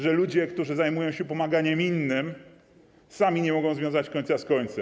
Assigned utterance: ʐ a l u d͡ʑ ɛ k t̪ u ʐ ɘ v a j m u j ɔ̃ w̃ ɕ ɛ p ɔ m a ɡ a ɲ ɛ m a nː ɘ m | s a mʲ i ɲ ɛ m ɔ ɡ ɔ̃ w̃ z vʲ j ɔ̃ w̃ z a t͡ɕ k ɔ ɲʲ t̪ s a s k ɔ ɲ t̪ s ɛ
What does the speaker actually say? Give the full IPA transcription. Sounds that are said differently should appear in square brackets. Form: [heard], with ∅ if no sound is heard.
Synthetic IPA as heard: ʐ [ɛ] l u d͡ʑ ɛ k t̪ u ʐ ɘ [z] a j m u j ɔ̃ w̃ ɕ ɛ p ɔ m a ɡ a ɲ ɛ m [i] nː ɘ m | s a mʲ i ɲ ɛ m ɔ ɡ ɔ̃ w̃ z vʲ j ɔ̃ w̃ z a t͡ɕ k ɔ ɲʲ t̪ s a s k ɔ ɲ t̪ s ɛ